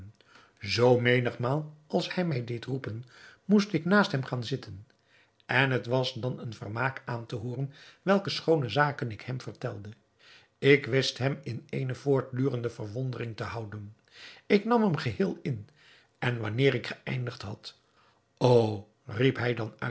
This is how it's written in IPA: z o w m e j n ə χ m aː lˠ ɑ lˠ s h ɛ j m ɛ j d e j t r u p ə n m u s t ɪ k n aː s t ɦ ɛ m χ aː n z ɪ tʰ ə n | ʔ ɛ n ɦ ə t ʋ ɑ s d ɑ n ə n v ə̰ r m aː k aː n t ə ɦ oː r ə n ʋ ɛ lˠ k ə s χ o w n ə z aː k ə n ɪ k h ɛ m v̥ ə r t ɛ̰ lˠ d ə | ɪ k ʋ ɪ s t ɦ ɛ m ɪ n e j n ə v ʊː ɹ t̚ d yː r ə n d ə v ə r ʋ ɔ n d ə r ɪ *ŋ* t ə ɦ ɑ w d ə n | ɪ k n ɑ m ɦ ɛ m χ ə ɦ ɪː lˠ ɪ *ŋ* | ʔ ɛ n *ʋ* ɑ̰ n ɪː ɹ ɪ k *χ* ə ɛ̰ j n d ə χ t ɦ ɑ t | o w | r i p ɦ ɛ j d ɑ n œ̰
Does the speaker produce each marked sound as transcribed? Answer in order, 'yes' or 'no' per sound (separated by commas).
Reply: yes, no, yes, yes